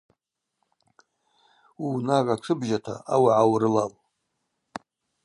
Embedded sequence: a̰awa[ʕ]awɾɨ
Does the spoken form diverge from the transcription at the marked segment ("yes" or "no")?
no